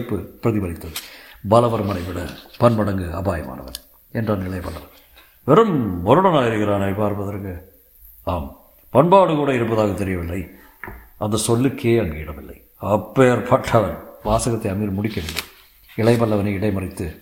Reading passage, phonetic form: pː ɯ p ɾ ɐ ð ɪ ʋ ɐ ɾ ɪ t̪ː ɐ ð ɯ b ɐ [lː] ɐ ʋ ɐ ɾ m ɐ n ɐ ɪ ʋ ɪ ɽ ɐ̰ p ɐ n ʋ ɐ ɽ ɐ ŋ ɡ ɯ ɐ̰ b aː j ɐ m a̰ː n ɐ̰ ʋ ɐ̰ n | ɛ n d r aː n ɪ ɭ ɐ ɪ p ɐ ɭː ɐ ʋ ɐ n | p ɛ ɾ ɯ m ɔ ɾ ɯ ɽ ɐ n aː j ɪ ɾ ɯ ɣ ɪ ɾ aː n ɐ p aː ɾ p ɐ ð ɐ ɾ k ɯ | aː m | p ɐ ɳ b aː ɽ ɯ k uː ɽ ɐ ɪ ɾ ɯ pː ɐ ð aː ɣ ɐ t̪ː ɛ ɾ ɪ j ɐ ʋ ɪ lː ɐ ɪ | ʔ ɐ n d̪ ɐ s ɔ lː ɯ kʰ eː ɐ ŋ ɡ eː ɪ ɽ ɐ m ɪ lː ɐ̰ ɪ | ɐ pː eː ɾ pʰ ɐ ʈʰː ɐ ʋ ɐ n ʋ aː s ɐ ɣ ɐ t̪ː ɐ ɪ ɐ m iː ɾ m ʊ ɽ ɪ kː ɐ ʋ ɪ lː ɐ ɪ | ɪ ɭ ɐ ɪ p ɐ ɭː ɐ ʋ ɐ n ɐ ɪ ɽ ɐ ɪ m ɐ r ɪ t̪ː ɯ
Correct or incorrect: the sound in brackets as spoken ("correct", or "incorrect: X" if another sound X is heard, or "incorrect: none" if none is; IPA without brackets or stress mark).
incorrect: l